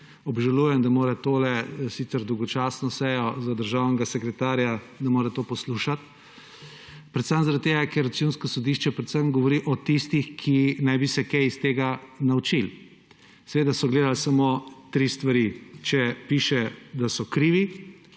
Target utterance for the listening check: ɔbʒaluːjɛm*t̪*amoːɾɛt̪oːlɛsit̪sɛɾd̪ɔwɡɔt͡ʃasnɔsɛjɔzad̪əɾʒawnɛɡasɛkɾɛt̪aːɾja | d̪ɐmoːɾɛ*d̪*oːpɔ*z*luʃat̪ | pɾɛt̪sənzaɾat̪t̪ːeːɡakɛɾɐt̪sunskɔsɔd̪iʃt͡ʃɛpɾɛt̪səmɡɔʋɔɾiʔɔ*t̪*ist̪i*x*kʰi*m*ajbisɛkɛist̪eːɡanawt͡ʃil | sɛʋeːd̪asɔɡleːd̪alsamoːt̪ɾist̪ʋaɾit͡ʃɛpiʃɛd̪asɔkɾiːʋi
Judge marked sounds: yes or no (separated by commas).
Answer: no, no, no, yes, yes, no